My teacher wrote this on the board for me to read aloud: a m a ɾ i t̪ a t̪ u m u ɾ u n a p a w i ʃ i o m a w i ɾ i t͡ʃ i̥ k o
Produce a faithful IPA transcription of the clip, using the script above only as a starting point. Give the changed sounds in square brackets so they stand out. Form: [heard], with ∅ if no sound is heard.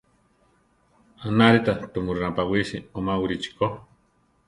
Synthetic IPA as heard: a [n] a ɾ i t̪ a t̪ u m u ɾ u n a p a w i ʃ i o m a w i ɾ i t͡ʃ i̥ k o